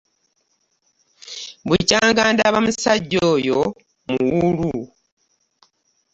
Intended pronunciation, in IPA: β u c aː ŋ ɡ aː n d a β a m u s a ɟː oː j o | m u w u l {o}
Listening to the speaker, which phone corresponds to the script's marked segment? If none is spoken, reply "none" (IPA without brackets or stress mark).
u